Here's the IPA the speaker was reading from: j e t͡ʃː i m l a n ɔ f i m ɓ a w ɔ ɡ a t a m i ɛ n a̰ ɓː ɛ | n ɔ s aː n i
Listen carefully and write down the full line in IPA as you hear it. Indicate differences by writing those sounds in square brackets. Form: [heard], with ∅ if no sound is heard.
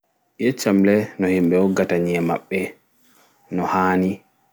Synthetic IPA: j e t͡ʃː [a] m l [ɛ] n ɔ [h] i m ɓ [ɛ] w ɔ ɡ a t a [ɲ] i ɛ [m] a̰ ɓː ɛ | n ɔ [h] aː n i

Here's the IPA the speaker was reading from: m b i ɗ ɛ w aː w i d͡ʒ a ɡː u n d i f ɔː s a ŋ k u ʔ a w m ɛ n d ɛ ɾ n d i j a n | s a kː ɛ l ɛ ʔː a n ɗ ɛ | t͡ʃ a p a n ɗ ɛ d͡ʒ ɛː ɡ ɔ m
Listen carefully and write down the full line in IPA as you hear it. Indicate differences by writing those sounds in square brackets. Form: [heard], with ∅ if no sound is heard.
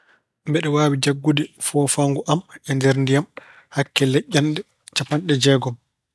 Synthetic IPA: m b [ɛ] ɗ ɛ w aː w i d͡ʒ a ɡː u [∅] d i f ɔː [f] a ŋ [ɡ] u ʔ a [∅] m ɛ n d ɛ ɾ n d i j a [m] | [h] a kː ɛ l ɛ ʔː a n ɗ ɛ | t͡ʃ a p a n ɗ ɛ d͡ʒ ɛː ɡ ɔ m

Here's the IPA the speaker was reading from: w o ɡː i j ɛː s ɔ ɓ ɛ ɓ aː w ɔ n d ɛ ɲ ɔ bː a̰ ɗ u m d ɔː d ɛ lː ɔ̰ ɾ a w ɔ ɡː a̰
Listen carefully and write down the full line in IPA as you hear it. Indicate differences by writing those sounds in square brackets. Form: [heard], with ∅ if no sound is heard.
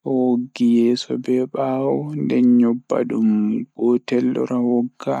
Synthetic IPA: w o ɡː i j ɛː s ɔ [b] ɛ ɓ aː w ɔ n d ɛ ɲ ɔ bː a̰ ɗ u m [ɡ] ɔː [t] ɛ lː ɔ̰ ɾ a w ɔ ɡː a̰

